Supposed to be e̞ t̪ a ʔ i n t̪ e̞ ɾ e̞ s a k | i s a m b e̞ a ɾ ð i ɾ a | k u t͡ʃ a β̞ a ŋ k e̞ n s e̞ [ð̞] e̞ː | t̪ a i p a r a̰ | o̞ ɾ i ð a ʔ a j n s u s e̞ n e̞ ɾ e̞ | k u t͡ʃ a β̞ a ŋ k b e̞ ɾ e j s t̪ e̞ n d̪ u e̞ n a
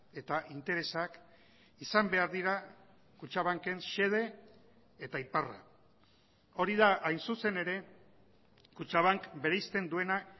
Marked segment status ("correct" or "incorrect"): correct